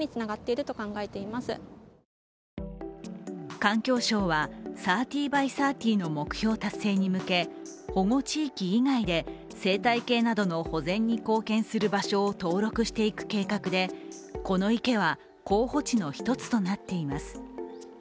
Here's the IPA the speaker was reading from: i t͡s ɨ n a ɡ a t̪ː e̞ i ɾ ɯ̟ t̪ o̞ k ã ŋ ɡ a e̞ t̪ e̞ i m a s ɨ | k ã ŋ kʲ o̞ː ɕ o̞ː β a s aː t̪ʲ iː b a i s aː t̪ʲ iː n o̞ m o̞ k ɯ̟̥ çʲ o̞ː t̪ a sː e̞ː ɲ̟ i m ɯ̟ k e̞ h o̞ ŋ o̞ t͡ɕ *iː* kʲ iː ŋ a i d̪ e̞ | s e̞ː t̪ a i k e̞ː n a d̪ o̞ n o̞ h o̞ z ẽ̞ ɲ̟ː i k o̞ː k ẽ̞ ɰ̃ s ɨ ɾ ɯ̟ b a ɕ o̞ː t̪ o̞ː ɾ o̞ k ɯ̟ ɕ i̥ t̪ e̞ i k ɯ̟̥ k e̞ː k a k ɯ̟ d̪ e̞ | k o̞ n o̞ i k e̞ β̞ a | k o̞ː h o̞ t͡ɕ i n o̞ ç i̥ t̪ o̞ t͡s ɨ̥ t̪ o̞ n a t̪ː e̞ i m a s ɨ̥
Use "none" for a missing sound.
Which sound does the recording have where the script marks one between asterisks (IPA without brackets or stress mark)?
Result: iː